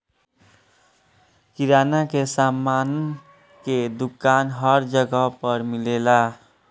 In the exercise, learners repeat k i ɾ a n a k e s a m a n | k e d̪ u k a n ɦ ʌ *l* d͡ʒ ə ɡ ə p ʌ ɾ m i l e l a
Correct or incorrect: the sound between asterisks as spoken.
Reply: incorrect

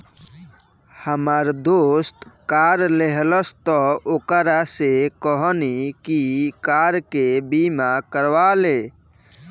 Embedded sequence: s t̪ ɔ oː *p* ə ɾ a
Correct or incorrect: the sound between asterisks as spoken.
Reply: incorrect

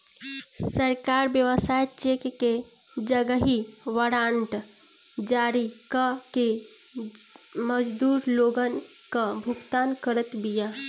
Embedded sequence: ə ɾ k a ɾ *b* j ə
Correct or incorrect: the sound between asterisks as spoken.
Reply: correct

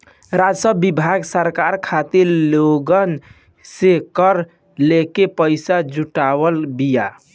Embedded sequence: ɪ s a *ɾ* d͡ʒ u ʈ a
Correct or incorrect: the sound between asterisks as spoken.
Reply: incorrect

